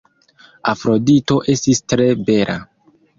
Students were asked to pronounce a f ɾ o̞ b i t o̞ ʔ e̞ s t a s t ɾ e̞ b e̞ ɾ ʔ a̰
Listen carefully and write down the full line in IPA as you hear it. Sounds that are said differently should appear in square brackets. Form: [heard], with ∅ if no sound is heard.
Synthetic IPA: a f ɾ o̞ [d] i t o̞ ʔ e̞ s t [i] s t ɾ e̞ b e̞ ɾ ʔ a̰